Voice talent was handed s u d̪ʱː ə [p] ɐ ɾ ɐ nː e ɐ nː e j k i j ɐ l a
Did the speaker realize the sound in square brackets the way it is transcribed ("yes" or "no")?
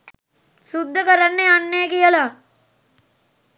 no